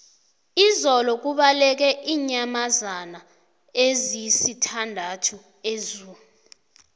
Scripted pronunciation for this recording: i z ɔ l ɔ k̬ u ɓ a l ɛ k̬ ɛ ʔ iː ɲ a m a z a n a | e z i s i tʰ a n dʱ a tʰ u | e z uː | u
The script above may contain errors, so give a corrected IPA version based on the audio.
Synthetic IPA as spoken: i z ɔ l ɔ k̬ u ɓ a l ɛ k̬ ɛ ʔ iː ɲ a m a z a n a | e z i s i tʰ a n dʱ a tʰ u | e z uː | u